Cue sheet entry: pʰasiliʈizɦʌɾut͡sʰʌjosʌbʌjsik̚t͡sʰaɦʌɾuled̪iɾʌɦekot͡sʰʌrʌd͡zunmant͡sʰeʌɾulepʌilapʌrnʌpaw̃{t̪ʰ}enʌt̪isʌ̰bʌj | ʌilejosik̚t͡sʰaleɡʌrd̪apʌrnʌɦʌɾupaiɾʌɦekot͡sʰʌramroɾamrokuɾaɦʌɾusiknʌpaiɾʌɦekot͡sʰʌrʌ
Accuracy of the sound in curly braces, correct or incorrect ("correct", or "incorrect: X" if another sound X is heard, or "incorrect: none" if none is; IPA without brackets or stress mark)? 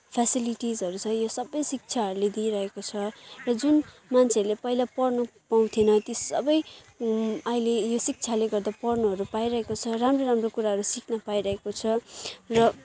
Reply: correct